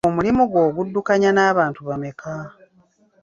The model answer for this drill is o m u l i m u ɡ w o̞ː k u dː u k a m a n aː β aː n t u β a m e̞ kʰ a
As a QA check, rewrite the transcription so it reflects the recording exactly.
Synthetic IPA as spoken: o m u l i m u ɡ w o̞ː ɡ u dː u k a ɲ a n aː β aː n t u β a m e̞ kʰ a